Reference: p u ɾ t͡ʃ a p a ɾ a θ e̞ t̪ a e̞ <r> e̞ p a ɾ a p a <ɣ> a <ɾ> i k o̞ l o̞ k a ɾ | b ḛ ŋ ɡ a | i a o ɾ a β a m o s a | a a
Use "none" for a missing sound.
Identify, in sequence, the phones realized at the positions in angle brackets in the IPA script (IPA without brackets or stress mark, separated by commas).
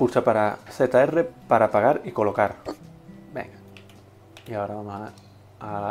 r, ɣ, ɾ